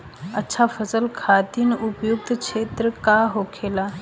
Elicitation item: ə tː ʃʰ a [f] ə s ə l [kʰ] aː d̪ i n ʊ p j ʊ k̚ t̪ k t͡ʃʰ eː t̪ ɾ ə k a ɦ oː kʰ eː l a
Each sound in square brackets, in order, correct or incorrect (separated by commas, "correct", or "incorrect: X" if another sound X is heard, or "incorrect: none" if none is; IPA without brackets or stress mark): correct, correct